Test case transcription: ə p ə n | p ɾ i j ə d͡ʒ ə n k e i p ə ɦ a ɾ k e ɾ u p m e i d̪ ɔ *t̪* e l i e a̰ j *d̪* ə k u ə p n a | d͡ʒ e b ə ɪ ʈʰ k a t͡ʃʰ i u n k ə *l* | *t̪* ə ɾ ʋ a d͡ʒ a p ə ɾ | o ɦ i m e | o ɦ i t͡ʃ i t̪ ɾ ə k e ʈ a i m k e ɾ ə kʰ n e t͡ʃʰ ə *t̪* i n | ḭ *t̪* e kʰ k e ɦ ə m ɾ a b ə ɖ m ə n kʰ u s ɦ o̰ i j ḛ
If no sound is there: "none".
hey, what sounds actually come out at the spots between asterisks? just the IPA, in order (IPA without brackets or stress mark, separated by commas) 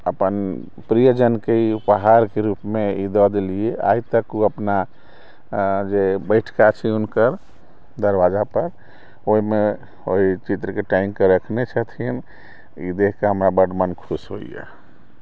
d̪, t̪, ɾ, d̪, t̪ʰ, d̪